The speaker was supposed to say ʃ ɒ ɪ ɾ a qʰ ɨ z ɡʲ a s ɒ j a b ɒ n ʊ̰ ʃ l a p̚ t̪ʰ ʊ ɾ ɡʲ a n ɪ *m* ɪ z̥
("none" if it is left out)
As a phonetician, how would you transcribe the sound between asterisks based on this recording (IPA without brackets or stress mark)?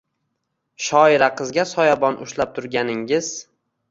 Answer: ŋ